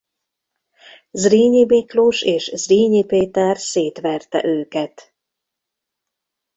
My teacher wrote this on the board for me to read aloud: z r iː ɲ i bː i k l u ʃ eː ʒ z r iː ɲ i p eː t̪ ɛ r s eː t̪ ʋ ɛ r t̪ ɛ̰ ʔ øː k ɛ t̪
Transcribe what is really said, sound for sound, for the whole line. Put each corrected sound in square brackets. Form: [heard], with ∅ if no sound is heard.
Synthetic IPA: z r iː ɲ i [b] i k l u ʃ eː [ʃ] z r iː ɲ i p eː t̪ ɛ r s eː t̪ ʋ ɛ r t̪ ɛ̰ ʔ øː k ɛ t̪